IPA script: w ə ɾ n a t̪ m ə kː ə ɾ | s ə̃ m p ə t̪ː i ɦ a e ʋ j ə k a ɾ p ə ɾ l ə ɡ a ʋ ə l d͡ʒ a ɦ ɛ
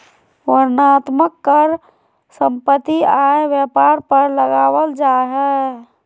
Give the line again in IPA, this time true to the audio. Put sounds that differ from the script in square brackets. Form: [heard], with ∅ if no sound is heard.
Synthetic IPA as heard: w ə ɾ n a t̪ m ə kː ə ɾ | s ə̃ m p ə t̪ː i [∅] a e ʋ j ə [p] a ɾ p ə ɾ l ə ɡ a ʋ ə l d͡ʒ a ɦ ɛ